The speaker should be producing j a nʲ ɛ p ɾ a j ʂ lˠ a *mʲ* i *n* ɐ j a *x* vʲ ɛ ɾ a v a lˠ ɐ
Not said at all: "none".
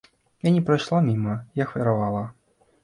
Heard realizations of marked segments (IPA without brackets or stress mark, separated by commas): mʲ, m, x